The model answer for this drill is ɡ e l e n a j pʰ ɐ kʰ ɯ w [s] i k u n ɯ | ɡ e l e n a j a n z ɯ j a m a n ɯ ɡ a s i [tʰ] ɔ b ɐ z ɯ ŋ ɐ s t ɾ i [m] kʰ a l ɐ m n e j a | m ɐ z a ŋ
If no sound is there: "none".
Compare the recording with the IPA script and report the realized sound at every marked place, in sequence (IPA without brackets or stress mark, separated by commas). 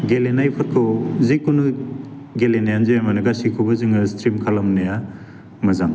z, kʰ, m